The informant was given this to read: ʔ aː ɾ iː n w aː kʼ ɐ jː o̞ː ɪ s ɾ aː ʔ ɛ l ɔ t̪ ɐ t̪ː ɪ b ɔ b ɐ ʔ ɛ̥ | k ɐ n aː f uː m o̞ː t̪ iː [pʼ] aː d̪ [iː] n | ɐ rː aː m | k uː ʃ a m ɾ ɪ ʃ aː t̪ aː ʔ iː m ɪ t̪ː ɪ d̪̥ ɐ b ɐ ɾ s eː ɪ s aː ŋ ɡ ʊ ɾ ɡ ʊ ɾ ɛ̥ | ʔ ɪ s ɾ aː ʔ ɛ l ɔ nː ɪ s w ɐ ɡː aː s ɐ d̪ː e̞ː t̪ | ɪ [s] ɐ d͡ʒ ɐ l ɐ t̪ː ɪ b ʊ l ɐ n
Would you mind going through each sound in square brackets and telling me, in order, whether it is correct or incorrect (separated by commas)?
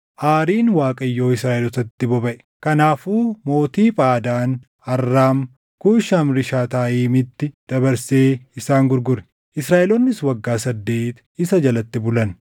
correct, incorrect, correct